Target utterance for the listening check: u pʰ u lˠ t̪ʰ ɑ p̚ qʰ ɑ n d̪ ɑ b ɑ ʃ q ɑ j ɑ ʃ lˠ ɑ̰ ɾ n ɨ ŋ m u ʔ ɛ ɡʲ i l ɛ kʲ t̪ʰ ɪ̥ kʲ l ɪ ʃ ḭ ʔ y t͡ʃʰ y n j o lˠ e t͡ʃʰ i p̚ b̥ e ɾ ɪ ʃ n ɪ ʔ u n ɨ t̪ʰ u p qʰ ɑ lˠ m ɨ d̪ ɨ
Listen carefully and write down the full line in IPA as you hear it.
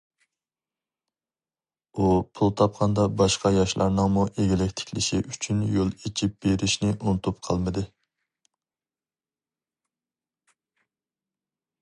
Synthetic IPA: u pʰ u lˠ t̪ʰ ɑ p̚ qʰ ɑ n d̪ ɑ b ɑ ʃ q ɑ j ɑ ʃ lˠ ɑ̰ ɾ n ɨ ŋ m u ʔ e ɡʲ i l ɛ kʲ t̪ʰ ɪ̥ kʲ l ɪ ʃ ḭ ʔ y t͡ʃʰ y n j o lˠ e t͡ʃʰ i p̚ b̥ e ɾ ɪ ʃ n ɪ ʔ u n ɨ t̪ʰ u p qʰ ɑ lˠ m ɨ d̪ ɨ